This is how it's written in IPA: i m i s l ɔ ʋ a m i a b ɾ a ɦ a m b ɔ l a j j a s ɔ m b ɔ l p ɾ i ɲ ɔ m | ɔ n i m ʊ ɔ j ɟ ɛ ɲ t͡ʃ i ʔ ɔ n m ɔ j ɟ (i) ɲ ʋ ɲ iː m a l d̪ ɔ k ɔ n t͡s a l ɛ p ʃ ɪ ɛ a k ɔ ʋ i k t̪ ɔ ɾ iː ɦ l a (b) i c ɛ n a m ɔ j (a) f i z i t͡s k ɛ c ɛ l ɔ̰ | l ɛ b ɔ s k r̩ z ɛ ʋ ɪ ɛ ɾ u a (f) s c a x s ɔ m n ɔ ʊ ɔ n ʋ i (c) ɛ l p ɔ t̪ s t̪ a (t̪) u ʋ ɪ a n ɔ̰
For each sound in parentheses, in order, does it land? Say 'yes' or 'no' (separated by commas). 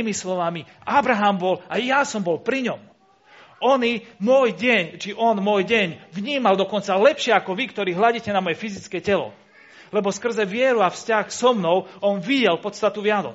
no, no, no, yes, no, yes